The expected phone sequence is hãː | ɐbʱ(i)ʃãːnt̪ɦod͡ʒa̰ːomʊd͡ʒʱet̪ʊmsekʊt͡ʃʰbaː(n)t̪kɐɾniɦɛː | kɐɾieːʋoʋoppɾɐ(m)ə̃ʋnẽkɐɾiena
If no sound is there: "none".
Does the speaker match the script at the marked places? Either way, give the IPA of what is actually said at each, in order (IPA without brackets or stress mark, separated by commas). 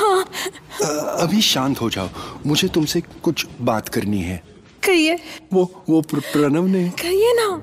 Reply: i, none, n